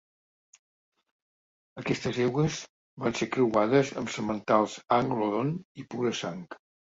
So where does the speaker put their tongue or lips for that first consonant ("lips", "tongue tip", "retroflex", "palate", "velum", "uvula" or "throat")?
velum